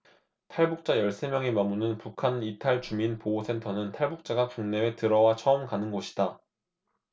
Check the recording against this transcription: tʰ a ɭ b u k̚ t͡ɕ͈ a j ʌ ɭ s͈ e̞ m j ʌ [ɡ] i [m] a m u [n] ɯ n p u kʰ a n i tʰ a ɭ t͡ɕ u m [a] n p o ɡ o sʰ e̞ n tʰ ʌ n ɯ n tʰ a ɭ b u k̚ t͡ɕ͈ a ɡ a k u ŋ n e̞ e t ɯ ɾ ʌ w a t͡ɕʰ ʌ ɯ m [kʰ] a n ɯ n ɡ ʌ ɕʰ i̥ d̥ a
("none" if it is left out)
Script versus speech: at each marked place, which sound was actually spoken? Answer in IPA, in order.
ŋ, m, n, i, k

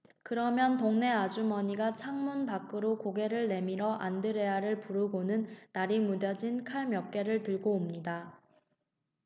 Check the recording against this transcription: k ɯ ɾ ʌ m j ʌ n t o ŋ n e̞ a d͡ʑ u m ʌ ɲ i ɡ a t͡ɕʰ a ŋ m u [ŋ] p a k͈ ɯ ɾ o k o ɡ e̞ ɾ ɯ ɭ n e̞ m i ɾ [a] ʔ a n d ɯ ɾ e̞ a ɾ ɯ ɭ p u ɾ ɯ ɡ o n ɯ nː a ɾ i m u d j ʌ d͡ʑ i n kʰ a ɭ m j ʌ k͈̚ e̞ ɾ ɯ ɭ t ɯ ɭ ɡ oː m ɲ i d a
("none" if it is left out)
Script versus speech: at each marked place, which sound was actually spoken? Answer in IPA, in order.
n, ʌ

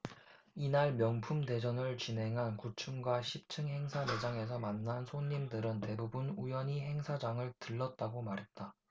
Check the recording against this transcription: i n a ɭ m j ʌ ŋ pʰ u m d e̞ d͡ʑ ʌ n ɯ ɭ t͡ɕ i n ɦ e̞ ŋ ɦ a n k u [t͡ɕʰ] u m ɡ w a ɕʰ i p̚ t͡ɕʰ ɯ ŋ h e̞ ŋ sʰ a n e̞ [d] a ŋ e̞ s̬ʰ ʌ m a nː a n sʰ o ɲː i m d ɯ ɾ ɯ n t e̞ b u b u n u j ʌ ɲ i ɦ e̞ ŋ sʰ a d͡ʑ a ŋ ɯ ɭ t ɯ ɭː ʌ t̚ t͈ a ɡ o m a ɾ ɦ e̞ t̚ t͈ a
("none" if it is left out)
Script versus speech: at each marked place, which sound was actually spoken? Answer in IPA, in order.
t͡ɕʰ, d͡ʑ

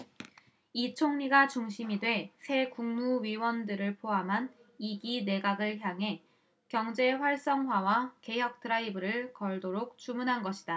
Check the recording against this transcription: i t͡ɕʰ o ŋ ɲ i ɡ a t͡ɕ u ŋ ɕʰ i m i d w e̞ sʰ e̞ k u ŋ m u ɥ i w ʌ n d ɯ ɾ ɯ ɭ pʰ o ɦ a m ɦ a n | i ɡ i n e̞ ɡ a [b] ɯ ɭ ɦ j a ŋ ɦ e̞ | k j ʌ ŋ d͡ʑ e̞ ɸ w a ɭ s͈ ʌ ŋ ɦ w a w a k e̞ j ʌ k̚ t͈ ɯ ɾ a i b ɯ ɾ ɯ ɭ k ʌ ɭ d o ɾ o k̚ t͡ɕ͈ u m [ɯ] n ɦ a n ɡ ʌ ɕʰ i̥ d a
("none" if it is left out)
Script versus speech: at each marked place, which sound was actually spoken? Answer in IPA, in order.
ɡ, u

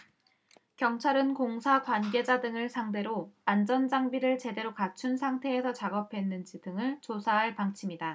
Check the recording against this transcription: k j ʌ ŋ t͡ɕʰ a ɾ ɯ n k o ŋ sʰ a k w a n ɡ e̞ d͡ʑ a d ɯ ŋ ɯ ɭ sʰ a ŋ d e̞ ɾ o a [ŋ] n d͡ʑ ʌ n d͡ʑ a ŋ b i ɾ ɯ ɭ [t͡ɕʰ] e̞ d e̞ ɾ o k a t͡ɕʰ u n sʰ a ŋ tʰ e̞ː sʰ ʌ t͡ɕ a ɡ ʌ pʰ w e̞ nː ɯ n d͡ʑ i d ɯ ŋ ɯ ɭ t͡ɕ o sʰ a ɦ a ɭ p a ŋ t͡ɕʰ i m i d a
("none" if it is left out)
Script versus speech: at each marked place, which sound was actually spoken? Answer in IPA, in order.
none, t͡ɕ

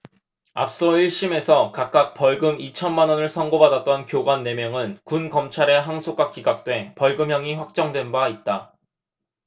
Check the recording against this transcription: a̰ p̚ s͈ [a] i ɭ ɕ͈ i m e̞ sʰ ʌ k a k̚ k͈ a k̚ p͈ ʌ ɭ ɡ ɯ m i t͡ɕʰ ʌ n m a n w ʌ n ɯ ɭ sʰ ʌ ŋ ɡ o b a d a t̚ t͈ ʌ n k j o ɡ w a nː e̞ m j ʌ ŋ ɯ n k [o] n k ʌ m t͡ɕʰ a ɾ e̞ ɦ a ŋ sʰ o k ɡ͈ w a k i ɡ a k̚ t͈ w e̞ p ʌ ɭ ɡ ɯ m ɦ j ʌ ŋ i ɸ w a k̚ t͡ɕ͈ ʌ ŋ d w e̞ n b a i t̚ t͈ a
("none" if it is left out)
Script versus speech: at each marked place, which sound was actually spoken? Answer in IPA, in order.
ʌ, u

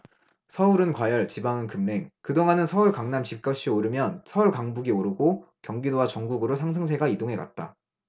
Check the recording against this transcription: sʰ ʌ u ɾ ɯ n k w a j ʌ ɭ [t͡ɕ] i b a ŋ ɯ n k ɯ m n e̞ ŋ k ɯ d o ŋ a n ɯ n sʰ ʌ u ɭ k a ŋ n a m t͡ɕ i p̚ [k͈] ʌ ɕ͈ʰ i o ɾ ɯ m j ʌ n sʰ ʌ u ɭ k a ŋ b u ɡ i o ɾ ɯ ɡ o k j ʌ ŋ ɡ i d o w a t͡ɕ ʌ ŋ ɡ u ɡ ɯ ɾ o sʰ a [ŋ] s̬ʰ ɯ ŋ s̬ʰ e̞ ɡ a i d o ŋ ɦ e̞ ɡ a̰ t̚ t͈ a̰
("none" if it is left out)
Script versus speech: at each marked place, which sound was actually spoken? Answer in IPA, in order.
t͡ɕ, k͈, ŋ

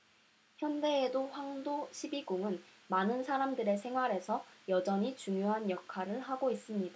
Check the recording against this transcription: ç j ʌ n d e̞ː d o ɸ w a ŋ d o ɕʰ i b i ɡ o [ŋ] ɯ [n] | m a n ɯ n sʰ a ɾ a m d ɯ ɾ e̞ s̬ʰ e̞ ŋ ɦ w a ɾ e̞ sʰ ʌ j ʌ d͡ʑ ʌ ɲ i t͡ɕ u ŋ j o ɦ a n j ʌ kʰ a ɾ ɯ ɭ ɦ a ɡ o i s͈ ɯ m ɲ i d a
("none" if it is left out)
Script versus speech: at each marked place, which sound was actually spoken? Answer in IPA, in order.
ŋ, n

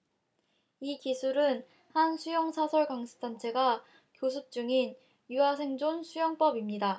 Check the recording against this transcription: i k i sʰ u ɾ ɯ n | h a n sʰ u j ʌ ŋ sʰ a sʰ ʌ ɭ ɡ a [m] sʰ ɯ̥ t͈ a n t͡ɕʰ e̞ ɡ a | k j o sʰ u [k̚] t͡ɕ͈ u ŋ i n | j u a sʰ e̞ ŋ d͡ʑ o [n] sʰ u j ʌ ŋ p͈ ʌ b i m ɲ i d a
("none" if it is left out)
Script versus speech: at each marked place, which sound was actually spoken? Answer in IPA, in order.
ŋ, p̚, n

